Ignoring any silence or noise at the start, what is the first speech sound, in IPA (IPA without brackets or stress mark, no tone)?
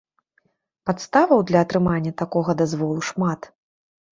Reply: p